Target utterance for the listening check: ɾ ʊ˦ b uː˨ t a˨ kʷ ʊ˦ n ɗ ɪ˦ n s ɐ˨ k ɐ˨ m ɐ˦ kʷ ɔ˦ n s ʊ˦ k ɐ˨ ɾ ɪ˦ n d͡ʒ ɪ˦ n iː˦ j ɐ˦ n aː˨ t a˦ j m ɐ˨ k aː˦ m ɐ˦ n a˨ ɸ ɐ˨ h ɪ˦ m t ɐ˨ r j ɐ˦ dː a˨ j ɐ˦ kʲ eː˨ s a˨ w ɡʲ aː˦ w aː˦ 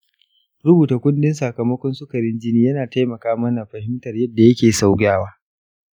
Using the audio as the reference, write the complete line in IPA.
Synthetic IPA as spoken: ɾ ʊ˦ b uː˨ t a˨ kʷ ʊ˦ n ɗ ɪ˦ n s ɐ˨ k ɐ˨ m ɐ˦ kʷ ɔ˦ n s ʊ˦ k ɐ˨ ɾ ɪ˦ n d͡ʒ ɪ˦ n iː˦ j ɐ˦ n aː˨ t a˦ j m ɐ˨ k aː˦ m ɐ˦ n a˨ ɸ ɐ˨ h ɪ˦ m t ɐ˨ r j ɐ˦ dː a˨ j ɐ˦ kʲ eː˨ s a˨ w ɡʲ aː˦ w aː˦

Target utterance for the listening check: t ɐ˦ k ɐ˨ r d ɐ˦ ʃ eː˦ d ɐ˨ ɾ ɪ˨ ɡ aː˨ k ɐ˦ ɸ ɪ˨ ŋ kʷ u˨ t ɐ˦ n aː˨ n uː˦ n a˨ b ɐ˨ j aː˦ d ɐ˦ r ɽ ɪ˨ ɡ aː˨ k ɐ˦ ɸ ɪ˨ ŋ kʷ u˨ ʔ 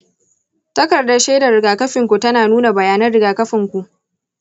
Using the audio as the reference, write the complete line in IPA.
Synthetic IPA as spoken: t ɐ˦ k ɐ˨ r d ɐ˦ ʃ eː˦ d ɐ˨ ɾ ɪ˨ ɡ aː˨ k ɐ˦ ɸ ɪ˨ ŋ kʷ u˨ t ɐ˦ n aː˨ n uː˦ n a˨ b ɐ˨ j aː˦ n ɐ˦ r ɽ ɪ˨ ɡ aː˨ k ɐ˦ ɸ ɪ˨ ŋ kʷ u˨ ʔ

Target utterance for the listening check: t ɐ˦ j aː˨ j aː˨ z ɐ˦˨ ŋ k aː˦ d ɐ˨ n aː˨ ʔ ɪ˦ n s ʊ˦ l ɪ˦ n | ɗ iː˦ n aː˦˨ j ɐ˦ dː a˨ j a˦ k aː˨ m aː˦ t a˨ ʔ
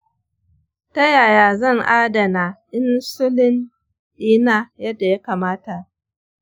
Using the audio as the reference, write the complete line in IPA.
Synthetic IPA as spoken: t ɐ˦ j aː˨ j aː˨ z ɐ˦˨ ŋ ʔ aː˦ d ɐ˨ n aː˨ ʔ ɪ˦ n s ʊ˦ l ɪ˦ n | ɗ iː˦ n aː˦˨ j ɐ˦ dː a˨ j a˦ k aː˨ m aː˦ t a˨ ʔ

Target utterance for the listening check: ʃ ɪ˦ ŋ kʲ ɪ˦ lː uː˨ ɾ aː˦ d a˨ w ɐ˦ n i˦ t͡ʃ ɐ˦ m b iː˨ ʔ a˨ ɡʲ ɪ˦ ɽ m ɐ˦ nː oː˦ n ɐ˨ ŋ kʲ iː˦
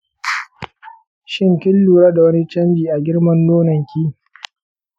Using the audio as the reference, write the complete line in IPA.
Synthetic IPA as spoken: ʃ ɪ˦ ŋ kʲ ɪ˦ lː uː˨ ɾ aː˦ d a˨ w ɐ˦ n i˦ t͡ʃ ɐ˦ m b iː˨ ʔ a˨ ɡʲ ɪ˦ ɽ m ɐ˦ nː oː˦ n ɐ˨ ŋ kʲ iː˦

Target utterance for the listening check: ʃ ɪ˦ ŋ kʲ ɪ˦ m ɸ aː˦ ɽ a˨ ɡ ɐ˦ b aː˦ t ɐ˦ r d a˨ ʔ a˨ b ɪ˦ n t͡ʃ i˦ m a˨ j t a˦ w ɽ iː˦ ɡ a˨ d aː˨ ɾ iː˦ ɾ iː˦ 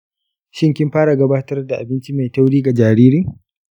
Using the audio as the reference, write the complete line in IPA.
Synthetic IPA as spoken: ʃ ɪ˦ ŋ kʲ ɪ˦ m ɸ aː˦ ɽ a˨ ɡ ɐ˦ b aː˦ t ɐ˦ r d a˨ ʔ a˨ b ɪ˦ n t͡ʃ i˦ m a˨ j t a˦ w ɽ iː˦ ɡ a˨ d͡ʒ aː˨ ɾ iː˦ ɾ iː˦

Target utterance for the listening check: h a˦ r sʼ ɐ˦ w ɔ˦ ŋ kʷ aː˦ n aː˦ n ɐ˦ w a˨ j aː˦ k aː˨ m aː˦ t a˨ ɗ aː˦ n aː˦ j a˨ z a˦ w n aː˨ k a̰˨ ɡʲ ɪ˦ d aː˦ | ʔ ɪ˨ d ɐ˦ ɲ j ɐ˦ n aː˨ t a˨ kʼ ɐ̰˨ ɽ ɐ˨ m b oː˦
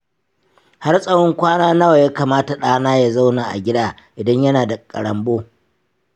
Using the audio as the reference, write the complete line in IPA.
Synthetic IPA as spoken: h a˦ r sʼ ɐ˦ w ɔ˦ ŋ kʷ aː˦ n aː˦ n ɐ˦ w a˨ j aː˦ k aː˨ m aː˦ t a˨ ɗ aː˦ n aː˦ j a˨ z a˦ w n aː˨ ʔ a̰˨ ɡʲ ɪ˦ d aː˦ | ʔ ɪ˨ d ɐ˦ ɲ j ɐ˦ n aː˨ d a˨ kʼ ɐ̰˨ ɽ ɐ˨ m b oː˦

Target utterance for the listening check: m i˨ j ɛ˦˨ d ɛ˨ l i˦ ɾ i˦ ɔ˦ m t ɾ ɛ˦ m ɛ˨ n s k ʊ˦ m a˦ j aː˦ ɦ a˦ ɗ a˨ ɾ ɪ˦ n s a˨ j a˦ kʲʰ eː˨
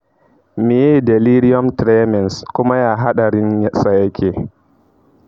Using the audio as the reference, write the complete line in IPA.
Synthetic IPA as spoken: m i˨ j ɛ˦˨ d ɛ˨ l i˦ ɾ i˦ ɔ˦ m t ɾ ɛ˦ m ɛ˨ n s k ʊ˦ m a˦ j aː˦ ɦ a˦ ɗ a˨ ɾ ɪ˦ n s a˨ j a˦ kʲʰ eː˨

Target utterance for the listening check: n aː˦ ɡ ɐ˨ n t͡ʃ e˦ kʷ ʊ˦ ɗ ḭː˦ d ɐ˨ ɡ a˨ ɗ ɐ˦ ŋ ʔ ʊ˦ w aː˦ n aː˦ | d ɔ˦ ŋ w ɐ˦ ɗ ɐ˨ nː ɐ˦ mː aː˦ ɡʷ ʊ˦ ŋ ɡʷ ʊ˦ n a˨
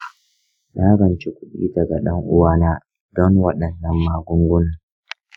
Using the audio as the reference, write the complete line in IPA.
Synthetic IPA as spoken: n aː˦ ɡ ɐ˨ n t͡ʃ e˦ kʷ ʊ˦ ɗ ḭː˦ d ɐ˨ ɡ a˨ ɗ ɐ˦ ŋ ʔ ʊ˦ w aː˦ n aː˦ | d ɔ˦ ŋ w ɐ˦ ɗ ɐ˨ nː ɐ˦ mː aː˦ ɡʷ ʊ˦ ŋ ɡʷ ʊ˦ n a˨

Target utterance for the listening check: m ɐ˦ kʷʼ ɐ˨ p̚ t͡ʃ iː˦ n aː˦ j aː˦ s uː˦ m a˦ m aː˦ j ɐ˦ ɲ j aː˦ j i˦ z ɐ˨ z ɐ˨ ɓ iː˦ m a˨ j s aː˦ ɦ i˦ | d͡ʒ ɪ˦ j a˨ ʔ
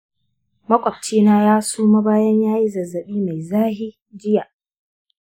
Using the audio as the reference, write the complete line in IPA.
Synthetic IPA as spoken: m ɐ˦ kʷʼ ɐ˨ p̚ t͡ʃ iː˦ n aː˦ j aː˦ s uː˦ m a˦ b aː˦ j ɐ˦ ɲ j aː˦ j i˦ z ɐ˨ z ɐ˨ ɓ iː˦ m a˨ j z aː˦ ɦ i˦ | d͡ʒ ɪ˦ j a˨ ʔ

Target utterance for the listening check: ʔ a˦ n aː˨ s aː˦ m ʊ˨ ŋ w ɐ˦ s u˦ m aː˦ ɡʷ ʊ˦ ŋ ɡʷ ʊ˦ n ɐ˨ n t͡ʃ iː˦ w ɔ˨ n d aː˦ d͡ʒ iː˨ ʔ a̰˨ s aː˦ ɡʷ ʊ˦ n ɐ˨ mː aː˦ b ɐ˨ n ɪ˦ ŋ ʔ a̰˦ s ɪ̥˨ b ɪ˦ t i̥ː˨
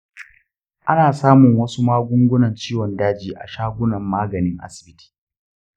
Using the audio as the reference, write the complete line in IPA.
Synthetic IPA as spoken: ʔ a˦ n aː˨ s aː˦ m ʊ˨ ŋ w ɐ˦ s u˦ m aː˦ ɡʷ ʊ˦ ŋ ɡʷ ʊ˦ n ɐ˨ n t͡ʃ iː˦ w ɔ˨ n d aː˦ d͡ʒ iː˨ ʔ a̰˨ ʃ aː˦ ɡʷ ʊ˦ n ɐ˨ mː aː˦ ɡ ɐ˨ n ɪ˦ ŋ ʔ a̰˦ s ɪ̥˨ b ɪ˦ t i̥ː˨

